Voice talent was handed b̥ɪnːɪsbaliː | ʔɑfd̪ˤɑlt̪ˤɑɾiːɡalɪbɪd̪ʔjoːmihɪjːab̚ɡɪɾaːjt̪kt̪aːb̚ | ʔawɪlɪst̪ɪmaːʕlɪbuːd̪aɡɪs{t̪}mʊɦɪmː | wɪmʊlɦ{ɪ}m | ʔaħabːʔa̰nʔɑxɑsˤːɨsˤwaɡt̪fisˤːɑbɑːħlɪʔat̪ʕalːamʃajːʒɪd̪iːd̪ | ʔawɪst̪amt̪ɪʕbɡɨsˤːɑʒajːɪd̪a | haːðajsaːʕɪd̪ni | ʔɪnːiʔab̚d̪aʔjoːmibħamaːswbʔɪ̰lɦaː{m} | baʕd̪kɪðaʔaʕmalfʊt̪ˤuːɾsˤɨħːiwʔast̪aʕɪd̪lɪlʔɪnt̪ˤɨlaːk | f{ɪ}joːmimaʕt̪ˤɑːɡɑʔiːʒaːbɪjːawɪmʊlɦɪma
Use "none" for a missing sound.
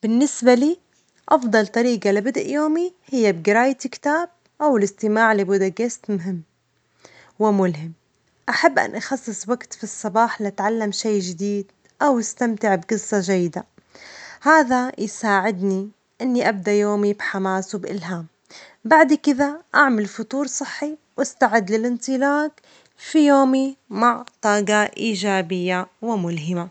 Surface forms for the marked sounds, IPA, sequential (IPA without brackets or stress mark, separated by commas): t̪, ɪ, m, i